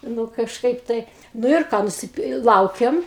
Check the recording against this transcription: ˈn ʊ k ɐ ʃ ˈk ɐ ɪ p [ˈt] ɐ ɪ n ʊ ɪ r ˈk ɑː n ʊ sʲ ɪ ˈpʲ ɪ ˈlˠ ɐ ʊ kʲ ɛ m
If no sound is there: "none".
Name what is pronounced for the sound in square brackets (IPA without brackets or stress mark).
t